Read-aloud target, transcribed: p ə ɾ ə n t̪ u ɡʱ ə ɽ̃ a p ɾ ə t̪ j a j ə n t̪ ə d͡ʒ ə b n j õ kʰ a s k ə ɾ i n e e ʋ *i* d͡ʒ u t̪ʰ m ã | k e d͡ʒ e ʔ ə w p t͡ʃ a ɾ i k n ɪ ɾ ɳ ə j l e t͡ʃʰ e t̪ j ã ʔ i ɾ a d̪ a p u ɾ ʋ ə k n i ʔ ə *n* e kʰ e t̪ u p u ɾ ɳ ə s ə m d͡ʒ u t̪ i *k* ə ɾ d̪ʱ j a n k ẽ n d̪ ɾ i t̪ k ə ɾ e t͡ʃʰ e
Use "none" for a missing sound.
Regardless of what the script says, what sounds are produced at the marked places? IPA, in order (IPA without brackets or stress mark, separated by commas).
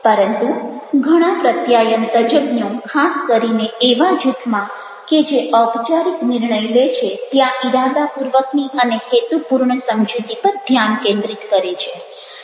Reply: a, n, p